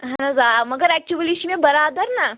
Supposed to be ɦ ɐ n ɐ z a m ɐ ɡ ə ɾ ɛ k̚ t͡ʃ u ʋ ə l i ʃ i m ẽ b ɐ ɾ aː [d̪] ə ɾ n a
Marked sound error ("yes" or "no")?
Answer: no